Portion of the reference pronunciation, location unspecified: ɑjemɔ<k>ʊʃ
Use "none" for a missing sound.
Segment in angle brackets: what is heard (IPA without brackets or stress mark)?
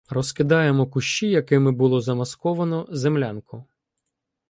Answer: k